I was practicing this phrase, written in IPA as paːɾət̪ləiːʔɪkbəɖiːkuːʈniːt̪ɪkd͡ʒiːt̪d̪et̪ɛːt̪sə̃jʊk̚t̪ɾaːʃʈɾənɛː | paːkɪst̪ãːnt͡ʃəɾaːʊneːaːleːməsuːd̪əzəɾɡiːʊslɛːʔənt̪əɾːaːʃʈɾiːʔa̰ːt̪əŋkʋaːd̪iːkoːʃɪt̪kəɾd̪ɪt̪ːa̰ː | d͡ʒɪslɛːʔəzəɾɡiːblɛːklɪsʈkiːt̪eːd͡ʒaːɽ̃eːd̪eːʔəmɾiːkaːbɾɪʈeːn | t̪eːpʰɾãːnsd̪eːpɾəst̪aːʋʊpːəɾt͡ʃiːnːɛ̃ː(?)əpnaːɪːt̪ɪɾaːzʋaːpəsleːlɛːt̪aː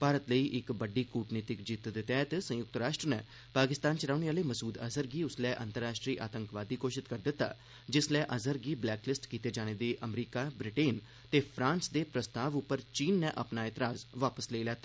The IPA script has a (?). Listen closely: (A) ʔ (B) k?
A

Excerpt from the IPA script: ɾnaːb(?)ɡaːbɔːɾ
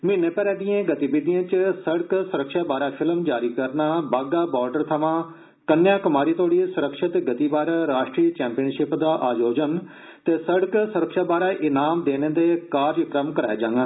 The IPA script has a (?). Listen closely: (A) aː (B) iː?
A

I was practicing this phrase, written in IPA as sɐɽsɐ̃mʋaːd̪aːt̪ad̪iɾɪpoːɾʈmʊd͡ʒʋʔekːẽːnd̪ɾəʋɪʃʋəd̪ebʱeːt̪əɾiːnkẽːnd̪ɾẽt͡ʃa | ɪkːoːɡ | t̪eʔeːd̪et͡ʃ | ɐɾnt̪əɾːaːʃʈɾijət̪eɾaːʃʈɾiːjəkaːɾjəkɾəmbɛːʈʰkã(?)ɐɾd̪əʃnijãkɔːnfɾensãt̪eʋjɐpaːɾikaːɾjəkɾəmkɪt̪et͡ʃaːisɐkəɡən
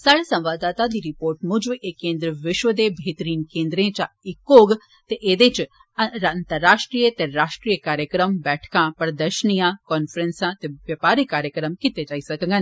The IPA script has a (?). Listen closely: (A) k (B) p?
B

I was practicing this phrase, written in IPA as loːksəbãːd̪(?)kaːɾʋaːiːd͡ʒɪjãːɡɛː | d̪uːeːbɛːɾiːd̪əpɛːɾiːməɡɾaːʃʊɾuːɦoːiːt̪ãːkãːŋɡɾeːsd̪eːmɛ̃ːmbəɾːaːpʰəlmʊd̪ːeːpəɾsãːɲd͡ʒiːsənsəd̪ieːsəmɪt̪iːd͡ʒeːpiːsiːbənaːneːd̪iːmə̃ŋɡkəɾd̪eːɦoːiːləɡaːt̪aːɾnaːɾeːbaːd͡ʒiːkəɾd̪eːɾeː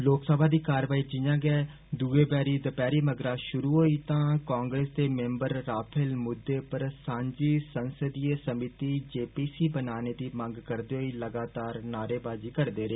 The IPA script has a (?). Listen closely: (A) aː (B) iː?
B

